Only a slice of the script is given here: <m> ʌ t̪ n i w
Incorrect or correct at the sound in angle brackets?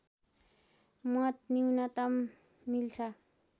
correct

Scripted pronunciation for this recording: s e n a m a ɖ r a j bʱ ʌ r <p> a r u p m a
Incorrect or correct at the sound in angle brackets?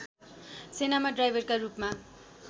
incorrect: k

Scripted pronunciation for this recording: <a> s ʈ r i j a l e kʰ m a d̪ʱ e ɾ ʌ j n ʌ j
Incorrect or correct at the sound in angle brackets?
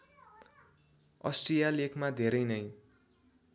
incorrect: ʌ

